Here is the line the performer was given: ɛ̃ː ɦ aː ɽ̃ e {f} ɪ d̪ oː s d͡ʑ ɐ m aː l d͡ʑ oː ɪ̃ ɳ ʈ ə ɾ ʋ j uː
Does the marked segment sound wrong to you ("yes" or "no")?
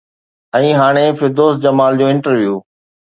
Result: no